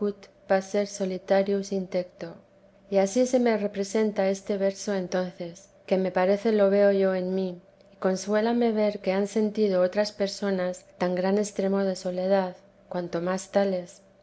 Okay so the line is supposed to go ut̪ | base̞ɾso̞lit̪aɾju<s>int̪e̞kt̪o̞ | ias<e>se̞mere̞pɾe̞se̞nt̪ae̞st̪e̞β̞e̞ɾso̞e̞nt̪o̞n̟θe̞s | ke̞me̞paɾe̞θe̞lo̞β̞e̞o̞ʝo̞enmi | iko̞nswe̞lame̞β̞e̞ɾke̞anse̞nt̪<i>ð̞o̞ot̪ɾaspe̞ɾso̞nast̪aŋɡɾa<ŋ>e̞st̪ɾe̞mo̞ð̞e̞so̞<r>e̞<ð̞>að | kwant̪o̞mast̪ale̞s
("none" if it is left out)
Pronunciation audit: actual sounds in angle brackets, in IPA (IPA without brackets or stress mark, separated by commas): s, i, i, n, l, ð̞